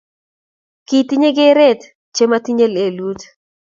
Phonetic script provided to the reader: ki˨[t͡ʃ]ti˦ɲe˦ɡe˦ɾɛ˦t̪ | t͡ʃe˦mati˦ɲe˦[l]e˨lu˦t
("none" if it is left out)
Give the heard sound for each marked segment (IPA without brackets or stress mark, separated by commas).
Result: none, l